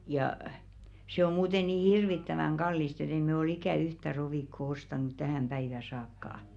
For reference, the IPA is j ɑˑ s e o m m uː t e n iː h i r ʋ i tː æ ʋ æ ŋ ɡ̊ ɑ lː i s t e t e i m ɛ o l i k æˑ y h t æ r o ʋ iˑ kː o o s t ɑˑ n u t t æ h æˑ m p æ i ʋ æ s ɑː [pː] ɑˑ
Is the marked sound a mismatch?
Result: yes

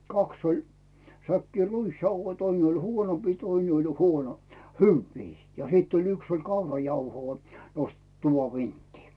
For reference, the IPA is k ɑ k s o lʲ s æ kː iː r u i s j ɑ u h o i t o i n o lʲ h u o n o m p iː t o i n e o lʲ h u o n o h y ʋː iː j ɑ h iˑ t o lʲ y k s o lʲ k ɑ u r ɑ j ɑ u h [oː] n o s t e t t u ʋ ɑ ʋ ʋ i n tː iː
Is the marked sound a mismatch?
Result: no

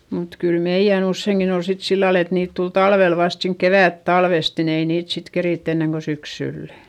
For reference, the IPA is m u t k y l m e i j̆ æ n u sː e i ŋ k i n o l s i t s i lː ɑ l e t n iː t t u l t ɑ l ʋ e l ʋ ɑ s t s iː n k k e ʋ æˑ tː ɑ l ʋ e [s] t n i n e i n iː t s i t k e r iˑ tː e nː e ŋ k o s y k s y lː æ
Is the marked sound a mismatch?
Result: no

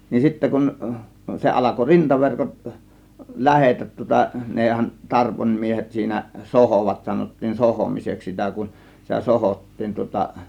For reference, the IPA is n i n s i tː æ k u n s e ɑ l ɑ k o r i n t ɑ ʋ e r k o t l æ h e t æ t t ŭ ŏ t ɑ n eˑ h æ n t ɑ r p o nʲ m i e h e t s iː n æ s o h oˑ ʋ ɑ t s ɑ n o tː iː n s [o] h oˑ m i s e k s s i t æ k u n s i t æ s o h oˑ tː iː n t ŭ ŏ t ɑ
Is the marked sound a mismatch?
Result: no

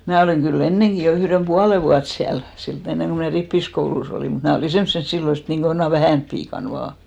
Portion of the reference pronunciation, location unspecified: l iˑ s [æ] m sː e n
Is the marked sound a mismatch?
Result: yes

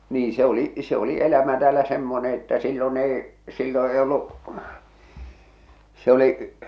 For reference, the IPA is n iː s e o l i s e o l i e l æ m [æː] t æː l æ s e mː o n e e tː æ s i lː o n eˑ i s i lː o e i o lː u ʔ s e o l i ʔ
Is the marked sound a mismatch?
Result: yes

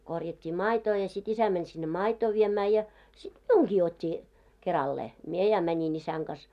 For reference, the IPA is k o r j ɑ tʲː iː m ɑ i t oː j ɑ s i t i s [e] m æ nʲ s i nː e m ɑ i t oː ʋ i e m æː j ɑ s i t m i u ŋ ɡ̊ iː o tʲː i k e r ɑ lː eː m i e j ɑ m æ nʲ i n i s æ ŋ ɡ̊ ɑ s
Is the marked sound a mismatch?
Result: yes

